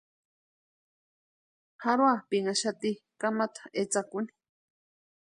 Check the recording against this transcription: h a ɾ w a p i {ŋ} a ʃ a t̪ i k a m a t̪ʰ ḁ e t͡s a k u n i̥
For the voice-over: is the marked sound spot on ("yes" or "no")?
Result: yes